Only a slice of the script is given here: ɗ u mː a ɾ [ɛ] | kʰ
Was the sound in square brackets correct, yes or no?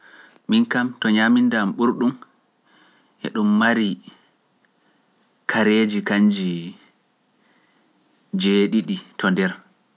no